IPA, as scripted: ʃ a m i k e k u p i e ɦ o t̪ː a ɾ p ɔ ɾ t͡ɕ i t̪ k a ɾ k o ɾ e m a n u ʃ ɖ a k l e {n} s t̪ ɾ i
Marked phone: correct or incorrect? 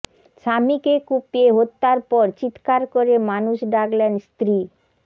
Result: correct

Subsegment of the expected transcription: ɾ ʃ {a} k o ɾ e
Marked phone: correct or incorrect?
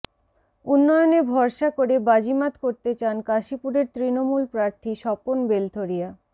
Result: correct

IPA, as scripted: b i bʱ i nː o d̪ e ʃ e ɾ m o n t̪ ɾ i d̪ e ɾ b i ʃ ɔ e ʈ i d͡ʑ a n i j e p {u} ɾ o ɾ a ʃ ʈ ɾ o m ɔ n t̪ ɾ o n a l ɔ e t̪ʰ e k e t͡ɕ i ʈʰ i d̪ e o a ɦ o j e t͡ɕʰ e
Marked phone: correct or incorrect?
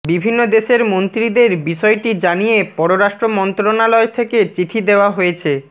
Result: incorrect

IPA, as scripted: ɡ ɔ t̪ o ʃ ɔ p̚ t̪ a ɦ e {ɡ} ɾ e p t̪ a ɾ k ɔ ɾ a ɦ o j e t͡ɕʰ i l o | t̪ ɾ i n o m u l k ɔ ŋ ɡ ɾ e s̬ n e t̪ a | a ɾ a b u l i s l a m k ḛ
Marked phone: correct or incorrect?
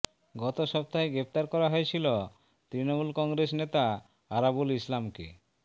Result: correct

